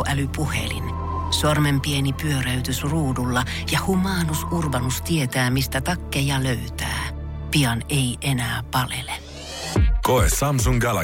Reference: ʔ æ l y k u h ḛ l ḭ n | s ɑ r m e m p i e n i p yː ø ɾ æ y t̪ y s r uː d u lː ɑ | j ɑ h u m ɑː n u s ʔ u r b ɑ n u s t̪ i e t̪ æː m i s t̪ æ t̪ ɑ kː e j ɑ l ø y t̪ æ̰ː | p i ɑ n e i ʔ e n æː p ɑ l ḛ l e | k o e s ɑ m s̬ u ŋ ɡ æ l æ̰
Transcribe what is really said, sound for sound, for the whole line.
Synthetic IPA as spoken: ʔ æ l y p u h ḛ l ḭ n | s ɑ r m e m p i e n i p y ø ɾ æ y t̪ y s r uː d u lː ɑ | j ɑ h u m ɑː n u s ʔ u r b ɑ n u s t̪ i e t̪ æː m i s t̪ æ t̪ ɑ kː e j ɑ l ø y t̪ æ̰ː | p i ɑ n e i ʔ e n æː p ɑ l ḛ l e | k o e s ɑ m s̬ u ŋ ɡ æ l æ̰